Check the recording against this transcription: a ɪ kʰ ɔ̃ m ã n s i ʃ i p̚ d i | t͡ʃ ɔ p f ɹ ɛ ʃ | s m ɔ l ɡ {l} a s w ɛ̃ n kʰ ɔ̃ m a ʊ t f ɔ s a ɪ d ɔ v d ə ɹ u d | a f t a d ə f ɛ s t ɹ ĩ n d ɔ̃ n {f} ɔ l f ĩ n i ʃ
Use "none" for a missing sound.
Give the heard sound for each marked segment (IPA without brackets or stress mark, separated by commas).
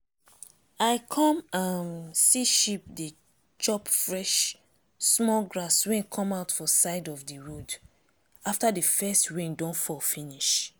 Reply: ɹ, f